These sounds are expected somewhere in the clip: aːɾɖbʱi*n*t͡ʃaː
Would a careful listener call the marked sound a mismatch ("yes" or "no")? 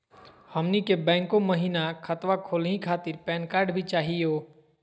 yes